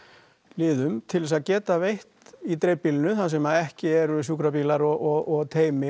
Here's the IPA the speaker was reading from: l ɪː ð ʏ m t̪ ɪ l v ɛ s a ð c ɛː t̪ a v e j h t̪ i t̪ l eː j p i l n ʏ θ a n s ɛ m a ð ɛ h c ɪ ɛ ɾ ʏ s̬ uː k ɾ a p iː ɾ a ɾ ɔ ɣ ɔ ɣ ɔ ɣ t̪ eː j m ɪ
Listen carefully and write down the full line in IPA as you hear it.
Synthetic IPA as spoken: l ɪː ð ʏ m t̪ʰ ɪ l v ɛ s a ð c ɛː t̪ a v e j h t̪ i t̪ ɾ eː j p i l n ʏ θ a n s ɛ m a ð ɛ h c ɪ ɛ ɾ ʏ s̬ uː k ɾ a p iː l a ɾ ɔ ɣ ɔ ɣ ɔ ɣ t̪ʰ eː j m ɪ